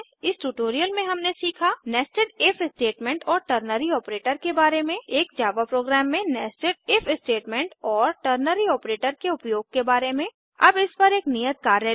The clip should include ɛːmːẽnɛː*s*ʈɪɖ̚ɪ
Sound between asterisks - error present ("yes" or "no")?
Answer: no